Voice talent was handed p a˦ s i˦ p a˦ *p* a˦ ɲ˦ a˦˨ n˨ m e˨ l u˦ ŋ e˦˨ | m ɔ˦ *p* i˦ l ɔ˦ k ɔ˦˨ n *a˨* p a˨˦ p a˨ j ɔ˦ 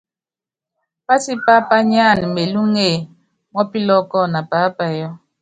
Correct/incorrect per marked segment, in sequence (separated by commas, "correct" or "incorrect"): correct, correct, correct